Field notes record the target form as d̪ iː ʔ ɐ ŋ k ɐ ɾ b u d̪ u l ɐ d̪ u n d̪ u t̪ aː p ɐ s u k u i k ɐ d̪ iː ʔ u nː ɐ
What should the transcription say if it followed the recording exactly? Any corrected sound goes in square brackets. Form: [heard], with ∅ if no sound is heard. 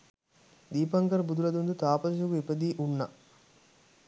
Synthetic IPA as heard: d̪ iː [p] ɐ ŋ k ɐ ɾ b u d̪ u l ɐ d̪ u n d̪ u t̪ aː p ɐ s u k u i [p] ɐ d̪ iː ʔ u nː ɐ